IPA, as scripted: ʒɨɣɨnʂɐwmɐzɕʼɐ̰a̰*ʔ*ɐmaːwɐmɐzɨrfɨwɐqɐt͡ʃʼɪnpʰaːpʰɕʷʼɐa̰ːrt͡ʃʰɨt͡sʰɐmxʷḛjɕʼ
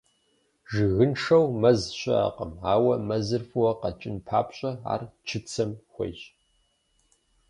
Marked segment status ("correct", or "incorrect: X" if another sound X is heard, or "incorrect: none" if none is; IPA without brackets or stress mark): incorrect: q